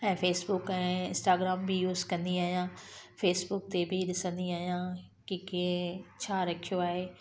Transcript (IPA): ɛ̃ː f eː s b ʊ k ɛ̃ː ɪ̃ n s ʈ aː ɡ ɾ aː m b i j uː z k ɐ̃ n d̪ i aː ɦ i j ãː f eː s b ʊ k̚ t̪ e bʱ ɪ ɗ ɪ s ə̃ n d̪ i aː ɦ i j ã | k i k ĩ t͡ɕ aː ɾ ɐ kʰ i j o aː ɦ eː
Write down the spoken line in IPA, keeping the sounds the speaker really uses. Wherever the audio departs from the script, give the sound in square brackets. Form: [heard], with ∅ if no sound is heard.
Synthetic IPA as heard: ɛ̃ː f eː s b ʊ k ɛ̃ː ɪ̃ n s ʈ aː ɡ ɾ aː m b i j uː z k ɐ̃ n d̪ i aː ɦ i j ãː f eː s b ʊ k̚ t̪ e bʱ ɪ ɗ ɪ s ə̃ n d̪ i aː ɦ i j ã | k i k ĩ [t͡ɕʰ] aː ɾ ɐ kʰ i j o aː ɦ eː